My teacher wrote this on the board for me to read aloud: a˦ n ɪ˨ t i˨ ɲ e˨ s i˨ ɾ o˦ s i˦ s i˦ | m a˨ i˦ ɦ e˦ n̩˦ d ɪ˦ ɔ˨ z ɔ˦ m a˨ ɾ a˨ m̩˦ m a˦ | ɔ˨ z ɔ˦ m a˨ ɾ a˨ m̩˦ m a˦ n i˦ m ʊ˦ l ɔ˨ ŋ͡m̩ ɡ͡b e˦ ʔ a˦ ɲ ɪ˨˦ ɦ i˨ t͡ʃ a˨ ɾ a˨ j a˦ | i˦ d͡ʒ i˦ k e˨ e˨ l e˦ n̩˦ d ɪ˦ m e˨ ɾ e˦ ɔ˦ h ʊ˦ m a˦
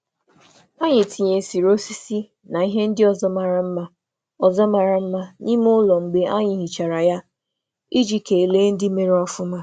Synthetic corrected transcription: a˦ ɲ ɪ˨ t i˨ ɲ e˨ s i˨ ɾ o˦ s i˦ s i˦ | n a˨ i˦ ɦ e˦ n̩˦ d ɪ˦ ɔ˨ z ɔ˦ m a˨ ɾ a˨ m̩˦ m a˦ | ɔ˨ z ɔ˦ m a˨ ɾ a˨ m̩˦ m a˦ n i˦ m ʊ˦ l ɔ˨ ŋ͡m̩ ɡ͡b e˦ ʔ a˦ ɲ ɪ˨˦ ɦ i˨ t͡ʃ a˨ ɾ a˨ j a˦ | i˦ d͡ʒ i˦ k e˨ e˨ l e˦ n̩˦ d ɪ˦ m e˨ ɾ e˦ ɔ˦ f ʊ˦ m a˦